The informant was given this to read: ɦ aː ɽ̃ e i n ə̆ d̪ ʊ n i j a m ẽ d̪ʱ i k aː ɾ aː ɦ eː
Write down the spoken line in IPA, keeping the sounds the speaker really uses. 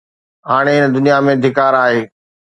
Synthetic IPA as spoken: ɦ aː ɽ̃ e ɪ n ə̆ d̪ ʊ n i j a m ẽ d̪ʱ ɪ k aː ɾ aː ɦ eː